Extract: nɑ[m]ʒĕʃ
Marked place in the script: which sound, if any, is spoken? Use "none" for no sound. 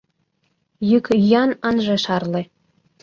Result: n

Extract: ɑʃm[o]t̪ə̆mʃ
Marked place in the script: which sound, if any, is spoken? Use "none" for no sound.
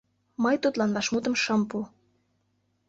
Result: u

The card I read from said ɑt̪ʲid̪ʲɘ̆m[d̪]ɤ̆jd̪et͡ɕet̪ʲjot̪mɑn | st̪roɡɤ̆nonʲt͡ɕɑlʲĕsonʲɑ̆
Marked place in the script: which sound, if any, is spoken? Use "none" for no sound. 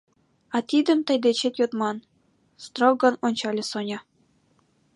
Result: t̪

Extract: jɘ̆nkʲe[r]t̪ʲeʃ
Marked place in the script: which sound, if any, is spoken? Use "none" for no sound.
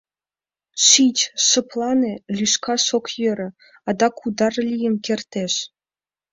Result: r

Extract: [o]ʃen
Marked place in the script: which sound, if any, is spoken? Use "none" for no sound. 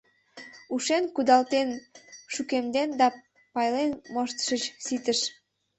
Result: u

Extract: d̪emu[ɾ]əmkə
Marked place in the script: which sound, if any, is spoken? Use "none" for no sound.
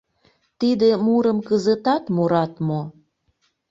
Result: ɾ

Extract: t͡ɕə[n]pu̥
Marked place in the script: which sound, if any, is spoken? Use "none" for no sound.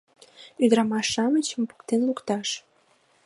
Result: m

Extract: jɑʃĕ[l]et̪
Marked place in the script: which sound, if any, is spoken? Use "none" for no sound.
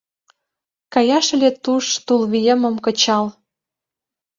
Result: l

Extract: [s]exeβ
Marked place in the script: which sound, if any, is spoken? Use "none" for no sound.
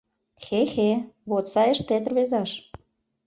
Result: x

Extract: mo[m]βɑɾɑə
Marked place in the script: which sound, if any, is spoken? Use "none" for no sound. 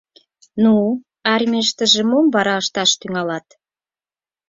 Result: m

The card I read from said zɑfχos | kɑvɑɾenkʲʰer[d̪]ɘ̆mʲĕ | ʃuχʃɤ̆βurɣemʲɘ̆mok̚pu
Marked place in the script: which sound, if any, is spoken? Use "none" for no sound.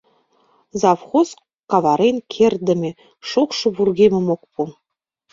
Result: d̪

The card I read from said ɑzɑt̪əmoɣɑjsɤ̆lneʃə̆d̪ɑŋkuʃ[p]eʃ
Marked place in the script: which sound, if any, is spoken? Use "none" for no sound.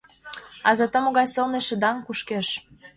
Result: k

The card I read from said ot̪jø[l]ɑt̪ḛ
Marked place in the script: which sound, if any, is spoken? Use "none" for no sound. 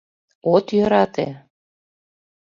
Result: ɾ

